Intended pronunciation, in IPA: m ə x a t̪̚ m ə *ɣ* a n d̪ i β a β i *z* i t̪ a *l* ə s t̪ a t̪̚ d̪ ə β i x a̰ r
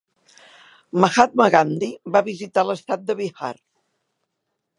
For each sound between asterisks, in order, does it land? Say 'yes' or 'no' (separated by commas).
yes, yes, yes